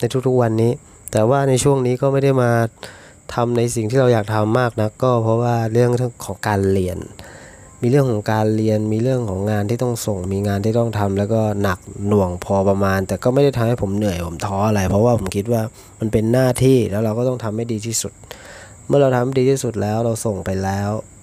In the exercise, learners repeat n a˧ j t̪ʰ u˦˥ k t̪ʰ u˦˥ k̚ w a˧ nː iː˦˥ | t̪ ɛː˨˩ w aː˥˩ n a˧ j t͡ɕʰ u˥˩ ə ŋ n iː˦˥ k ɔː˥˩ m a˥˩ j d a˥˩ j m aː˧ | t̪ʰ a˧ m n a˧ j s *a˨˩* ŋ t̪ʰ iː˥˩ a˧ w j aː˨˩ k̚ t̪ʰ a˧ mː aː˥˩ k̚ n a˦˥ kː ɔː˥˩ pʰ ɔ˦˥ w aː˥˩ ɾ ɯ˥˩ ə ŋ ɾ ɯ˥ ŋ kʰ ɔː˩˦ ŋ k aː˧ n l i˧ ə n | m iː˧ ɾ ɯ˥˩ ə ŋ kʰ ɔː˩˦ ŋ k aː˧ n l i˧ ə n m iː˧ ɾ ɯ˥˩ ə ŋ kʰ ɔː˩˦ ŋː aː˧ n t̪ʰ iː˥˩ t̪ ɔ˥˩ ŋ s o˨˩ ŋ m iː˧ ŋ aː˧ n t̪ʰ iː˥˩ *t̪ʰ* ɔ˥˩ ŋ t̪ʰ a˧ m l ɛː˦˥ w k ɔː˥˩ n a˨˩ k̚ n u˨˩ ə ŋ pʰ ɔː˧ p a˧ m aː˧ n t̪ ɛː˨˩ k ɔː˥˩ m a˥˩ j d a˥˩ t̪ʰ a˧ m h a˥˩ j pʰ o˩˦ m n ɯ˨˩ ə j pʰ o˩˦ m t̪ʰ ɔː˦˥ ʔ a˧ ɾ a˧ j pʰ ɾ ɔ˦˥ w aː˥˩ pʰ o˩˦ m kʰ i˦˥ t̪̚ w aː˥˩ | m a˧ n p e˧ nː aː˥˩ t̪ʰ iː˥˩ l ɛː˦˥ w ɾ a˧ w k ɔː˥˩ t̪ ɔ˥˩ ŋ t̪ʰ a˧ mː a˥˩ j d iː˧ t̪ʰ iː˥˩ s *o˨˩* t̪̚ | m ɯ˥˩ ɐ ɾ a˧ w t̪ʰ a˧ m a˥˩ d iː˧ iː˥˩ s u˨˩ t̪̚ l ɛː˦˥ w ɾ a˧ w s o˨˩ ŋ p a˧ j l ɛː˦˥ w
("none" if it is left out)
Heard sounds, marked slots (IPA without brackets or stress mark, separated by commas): i˨˩, t̪, u˨˩